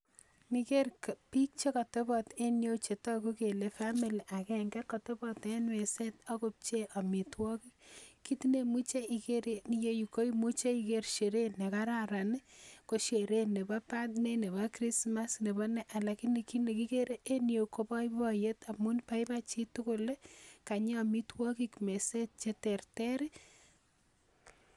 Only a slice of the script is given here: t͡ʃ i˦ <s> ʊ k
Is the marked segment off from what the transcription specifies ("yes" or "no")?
yes